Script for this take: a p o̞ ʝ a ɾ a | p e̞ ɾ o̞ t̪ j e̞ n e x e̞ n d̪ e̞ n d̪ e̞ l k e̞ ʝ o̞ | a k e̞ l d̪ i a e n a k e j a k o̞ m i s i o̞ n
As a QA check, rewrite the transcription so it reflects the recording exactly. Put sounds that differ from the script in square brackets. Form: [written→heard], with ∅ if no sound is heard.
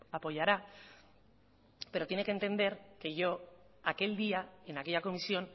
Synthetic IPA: a p o̞ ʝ a ɾ a | p e̞ ɾ o̞ t̪ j e̞ n e [x→k] e̞ n [d̪→t̪] e̞ n d̪ e̞ [l→ɾ] k e̞ ʝ o̞ | a k e̞ l d̪ i a e n a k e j a k o̞ m i s i o̞ n